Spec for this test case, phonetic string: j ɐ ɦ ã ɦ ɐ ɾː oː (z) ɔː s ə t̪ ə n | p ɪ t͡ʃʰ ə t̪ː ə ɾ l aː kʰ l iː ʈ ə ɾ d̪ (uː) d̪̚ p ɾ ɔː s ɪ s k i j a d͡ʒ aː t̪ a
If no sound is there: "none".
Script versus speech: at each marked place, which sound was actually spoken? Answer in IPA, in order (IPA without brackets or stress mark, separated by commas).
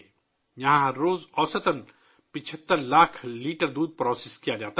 z, uː